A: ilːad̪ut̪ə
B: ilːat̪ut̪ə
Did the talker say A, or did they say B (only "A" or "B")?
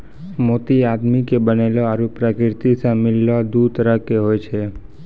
A